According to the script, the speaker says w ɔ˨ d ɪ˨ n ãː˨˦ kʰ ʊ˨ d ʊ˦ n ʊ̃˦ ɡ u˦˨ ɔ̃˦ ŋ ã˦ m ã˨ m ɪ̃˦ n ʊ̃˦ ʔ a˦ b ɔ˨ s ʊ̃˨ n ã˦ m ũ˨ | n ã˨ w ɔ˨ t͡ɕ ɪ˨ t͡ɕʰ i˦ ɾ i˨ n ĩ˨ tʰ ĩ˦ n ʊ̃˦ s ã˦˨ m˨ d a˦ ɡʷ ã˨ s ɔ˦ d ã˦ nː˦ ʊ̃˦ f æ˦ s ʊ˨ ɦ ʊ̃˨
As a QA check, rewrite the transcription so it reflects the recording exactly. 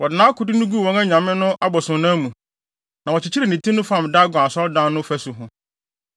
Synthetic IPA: w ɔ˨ d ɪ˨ n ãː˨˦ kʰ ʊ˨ d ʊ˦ n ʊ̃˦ ɡ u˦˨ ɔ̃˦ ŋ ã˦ ɲ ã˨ m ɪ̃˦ n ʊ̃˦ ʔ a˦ b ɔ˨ s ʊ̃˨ n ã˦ m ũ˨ | n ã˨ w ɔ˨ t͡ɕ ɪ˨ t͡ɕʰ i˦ ɾ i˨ n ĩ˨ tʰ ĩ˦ n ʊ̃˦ f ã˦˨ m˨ d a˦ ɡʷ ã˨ s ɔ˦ d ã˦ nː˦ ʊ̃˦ f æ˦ s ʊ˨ ɦ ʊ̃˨